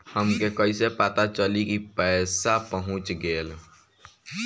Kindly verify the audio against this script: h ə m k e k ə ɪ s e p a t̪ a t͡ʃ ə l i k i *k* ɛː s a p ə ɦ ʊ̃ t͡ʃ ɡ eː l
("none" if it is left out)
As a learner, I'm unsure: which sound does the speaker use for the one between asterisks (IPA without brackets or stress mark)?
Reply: p